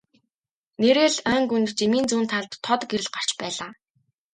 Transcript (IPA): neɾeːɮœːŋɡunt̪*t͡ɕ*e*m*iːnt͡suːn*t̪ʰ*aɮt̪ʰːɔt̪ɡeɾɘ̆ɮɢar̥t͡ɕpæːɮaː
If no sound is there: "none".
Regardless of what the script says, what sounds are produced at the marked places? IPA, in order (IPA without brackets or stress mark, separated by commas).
t͡ɕ, m, t̪ʰ